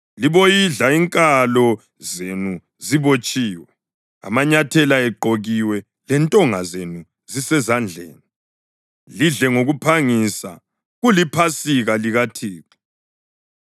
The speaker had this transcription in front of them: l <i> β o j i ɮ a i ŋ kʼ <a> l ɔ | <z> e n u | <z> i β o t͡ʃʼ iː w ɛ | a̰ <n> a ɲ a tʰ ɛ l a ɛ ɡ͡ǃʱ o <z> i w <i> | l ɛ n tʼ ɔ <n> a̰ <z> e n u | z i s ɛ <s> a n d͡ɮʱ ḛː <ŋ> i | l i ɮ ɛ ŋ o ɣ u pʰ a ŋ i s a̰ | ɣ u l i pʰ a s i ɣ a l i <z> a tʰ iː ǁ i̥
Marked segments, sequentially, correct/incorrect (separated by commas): correct, correct, correct, correct, incorrect, incorrect, incorrect, incorrect, correct, incorrect, incorrect, incorrect